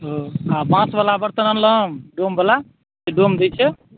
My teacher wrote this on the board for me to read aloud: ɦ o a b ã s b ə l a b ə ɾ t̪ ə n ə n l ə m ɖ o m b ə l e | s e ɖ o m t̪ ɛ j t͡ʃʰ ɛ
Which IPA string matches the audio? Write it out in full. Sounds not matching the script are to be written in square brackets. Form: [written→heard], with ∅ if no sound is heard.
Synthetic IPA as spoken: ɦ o a b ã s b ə l a b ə ɾ t̪ ə n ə n l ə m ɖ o m b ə l [e→a] | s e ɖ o m [t̪→d̪] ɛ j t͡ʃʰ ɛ